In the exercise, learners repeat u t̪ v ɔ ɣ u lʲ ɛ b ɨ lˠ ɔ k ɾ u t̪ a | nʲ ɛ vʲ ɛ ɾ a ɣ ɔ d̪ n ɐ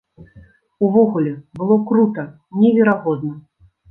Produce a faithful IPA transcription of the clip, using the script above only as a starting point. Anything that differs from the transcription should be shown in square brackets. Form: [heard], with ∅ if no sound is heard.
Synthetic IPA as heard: u [∅] v ɔ ɣ u lʲ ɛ b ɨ lˠ ɔ k ɾ u t̪ [ɐ] | nʲ ɛ vʲ ɛ ɾ a ɣ ɔ d̪ n ɐ

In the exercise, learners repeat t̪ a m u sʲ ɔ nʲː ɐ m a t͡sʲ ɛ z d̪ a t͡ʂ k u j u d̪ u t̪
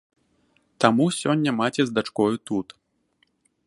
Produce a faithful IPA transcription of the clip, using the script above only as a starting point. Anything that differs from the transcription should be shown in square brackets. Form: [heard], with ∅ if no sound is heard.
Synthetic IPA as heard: t̪ a m u sʲ ɔ nʲː ɐ m a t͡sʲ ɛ z d̪ a t͡ʂ k [ɔ] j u [t̪] u t̪

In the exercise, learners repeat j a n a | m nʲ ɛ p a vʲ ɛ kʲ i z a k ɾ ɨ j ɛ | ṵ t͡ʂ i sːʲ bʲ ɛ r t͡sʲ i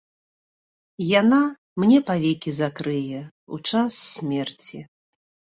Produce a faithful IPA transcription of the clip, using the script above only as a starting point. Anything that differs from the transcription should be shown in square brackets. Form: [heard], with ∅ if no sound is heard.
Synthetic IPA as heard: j a n a | m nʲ ɛ p a vʲ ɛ kʲ i z a k ɾ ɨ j ɛ | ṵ t͡ʂ [a] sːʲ [mʲ] ɛ r t͡sʲ i

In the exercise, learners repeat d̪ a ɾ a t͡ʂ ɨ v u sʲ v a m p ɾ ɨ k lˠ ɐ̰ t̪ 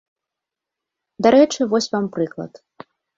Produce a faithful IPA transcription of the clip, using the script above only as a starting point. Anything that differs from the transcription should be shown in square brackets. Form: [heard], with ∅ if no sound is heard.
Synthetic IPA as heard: d̪ a ɾ [ɛ] t͡ʂ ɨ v [ɔ] sʲ v a m p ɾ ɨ k lˠ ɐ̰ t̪

